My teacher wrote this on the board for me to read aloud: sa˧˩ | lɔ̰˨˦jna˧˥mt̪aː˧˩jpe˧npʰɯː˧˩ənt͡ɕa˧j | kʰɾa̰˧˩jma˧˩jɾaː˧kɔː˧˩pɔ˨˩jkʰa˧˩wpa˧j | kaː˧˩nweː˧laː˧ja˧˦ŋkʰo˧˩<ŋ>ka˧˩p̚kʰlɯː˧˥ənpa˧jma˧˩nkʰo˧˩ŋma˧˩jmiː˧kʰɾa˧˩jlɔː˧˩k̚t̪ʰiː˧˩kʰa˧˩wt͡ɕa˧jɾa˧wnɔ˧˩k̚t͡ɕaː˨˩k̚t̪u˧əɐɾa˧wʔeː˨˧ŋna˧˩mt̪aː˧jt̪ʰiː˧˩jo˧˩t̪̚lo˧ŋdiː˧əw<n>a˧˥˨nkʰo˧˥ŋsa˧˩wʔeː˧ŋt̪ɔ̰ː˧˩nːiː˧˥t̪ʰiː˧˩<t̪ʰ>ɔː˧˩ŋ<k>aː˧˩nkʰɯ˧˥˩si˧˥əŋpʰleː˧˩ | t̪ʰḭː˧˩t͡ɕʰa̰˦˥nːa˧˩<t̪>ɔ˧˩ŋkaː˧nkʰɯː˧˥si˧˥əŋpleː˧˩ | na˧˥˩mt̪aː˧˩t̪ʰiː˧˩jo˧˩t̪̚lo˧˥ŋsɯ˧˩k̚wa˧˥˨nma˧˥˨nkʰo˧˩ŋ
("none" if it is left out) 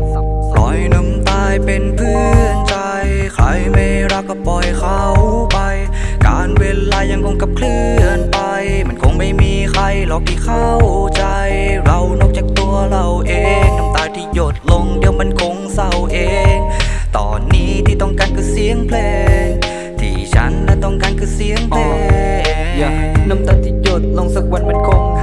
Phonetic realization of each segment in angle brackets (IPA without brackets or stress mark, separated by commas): ŋ, m, t̪, k, t̪